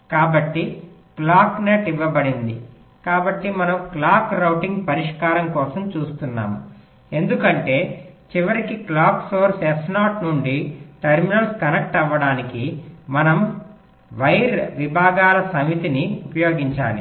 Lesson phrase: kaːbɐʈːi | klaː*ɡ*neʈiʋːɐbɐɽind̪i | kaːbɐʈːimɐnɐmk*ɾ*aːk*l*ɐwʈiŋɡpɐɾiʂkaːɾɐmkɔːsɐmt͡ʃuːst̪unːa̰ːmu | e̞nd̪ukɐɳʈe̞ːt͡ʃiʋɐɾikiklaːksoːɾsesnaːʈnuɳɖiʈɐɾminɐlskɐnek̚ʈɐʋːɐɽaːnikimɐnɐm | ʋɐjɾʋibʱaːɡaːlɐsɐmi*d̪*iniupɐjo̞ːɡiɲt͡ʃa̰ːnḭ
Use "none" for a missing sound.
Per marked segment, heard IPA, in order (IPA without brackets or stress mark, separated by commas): k, l, ɾ, t̪